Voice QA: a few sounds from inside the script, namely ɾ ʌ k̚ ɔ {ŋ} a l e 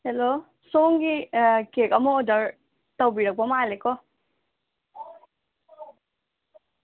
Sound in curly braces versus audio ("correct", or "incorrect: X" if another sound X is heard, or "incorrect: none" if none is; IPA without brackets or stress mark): incorrect: m